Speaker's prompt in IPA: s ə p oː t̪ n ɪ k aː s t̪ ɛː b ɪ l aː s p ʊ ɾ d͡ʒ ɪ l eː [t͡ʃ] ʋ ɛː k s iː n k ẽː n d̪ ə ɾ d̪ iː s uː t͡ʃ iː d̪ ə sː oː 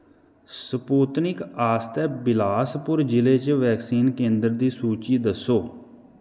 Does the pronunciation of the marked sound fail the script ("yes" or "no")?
no